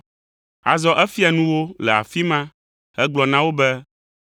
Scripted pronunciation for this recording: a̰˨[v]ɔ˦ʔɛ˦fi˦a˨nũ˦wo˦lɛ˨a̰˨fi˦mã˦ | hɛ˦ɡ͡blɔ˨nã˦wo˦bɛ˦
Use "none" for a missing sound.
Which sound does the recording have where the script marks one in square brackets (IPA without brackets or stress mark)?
z